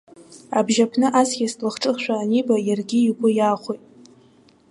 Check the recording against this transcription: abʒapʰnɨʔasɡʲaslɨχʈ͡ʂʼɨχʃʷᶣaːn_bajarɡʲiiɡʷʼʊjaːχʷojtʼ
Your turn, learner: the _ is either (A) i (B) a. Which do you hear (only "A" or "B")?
A